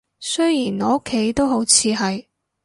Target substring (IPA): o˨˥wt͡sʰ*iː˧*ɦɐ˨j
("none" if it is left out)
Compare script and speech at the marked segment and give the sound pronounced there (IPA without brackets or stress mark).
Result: iː˧